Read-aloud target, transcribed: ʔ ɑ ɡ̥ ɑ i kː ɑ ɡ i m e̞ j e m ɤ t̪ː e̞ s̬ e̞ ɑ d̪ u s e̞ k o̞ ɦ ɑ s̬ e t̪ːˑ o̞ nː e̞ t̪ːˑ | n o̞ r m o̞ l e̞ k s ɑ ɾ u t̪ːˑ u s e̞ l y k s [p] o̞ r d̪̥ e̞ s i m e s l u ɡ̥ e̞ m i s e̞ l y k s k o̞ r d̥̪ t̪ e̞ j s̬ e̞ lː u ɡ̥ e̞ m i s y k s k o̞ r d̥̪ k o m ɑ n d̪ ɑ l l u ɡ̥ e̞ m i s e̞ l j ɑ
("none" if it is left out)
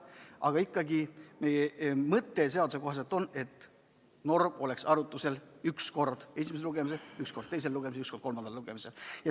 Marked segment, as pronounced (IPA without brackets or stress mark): k